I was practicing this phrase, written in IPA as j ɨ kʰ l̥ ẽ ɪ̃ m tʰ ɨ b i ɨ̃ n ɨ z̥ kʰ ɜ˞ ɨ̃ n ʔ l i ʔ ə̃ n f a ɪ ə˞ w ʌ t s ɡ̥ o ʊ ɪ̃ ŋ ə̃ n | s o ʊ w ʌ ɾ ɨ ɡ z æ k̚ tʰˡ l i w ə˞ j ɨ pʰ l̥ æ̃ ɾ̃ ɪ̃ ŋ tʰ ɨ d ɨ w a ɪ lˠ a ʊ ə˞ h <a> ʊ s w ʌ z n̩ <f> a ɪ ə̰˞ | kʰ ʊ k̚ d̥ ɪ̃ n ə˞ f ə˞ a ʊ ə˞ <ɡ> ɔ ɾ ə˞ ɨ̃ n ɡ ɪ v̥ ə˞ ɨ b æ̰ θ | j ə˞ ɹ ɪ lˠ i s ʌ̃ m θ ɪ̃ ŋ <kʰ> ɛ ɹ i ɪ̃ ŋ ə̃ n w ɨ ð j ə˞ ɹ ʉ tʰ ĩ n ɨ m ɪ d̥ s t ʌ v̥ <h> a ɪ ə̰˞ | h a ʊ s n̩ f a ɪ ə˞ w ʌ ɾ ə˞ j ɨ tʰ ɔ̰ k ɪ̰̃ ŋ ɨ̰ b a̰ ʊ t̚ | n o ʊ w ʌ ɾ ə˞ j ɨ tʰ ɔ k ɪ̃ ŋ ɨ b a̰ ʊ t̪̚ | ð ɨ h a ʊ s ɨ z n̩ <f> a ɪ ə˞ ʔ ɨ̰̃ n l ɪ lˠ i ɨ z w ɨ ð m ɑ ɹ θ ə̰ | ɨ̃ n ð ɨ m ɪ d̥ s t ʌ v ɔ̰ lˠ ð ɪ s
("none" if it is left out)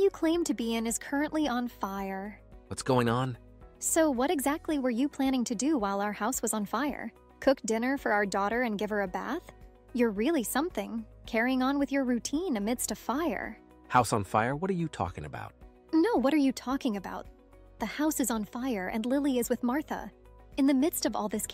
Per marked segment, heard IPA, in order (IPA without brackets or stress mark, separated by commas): a, f, d, kʰ, f, f